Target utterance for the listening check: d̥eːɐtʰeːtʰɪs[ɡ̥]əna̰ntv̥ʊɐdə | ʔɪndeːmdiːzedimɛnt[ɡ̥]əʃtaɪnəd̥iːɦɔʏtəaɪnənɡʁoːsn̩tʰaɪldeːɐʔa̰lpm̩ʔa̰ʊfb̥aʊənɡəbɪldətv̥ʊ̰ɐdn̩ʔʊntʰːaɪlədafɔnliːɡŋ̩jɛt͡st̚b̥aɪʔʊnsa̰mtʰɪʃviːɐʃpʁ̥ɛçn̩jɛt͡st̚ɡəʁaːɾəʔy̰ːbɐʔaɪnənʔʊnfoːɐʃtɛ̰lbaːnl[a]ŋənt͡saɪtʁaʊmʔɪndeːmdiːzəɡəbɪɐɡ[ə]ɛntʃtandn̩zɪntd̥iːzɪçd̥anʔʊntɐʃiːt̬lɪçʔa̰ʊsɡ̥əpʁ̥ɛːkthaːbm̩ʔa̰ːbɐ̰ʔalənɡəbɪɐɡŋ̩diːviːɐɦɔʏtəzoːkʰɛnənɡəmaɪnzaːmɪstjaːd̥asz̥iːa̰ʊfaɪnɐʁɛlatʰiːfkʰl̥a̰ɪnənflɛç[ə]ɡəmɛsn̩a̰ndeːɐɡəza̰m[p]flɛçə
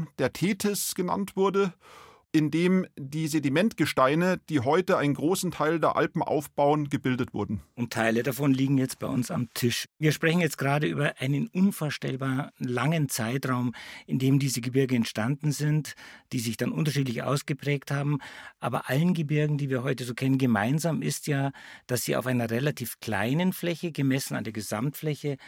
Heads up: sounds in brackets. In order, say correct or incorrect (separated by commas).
correct, correct, correct, correct, correct, incorrect